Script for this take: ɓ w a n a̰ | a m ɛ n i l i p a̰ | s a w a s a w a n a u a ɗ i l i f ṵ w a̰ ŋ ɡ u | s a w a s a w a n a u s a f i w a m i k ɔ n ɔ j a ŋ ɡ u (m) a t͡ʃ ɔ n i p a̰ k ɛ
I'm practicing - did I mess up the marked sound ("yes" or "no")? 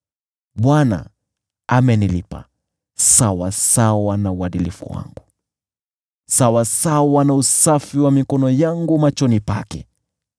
no